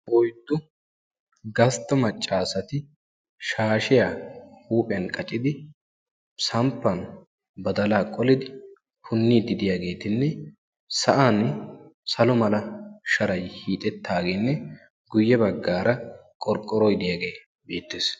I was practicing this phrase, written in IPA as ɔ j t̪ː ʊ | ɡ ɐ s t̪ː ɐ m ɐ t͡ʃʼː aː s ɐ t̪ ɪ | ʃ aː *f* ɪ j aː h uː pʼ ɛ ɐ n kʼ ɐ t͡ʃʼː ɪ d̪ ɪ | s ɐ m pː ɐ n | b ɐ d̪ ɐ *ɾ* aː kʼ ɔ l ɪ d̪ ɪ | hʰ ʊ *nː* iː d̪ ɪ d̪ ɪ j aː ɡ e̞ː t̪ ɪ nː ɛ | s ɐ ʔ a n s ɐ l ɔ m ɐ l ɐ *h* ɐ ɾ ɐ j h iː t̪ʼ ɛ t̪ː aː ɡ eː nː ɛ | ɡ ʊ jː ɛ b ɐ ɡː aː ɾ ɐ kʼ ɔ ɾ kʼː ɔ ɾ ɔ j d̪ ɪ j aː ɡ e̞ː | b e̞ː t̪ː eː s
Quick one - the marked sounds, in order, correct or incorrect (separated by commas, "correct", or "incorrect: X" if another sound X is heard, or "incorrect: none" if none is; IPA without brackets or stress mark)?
incorrect: ʃ, incorrect: l, correct, incorrect: ʃ